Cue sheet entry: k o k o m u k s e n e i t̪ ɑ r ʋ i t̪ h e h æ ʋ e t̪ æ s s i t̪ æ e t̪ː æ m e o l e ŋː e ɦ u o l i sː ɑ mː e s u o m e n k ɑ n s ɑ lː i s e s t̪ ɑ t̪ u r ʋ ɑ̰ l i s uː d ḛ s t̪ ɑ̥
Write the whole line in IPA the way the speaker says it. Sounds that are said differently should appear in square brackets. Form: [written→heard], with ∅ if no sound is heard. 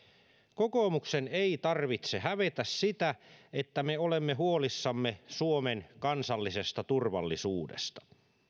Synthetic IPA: k o k o m u k s e n e i t̪ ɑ r ʋ i t̪ [h→s] e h æ ʋ e t̪ æ s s i t̪ æ e t̪ː æ m e o l e [ŋː→mː] e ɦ u o l i sː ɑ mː e s u o m e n k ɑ n s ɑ lː i s e s t̪ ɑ t̪ u r ʋ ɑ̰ [l→lː] i s uː d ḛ s t̪ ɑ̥